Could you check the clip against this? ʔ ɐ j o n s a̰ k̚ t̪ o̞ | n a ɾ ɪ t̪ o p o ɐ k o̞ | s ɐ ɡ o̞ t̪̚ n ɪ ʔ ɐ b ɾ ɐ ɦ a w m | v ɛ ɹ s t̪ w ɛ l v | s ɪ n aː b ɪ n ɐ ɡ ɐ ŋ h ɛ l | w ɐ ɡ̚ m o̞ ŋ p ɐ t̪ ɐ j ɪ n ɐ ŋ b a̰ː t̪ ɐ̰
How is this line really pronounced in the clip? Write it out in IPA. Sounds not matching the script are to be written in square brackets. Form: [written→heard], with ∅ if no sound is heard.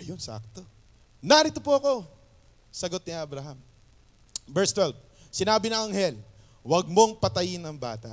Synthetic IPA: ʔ ɐ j o n s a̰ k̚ t̪ o̞ | n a ɾ ɪ t̪ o p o ɐ k o̞ | s ɐ ɡ o̞ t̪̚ n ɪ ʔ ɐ b ɾ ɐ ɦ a [w→∅] m | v ɛ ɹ s t̪ w ɛ l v | s ɪ n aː b ɪ n ɐ [ɡ→ŋ] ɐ ŋ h ɛ l | w ɐ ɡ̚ m o̞ ŋ p ɐ t̪ ɐ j ɪ n ɐ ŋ b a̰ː t̪ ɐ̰